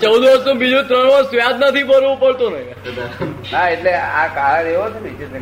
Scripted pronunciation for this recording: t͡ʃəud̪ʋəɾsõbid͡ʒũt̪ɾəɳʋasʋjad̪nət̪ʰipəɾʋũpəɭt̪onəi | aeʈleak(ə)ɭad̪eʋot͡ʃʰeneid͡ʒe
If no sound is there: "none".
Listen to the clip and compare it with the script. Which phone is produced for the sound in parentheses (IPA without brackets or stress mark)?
a